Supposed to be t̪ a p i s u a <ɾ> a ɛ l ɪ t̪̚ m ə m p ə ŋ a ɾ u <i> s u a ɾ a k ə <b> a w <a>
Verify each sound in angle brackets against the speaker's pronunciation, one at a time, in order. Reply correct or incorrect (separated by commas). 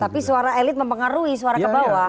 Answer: correct, correct, correct, correct